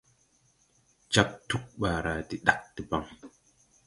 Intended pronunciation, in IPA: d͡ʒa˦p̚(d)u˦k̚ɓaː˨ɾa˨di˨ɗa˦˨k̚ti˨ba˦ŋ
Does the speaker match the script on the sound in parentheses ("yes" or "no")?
no